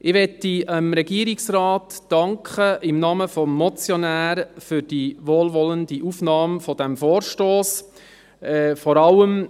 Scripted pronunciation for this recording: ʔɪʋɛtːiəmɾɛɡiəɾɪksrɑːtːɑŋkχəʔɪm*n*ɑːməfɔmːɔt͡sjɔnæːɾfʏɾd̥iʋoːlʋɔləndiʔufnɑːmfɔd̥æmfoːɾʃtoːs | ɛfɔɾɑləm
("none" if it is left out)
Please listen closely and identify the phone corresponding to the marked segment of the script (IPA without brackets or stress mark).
n